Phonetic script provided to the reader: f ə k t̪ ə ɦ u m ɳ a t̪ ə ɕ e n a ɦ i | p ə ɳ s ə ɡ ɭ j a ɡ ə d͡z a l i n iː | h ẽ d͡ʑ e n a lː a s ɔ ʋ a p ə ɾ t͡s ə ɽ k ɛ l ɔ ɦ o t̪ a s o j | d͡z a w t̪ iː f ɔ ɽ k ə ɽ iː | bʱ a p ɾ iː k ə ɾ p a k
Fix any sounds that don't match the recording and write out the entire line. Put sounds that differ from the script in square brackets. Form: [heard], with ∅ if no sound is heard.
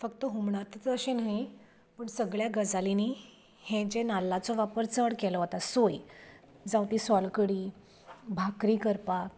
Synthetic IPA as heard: f ə k t̪ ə ɦ u m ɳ a t̪ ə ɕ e n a ɦ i | p ə ɳ s ə ɡ ɭ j a ɡ ə d͡z a l i n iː | h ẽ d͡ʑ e n a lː a [t͡s] ɔ ʋ a p ə ɾ t͡s ə ɽ k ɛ l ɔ ɦ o t̪ a s o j | d͡z a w t̪ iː [s] ɔ [l] k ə ɽ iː | bʱ a [k] ɾ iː k ə ɾ p a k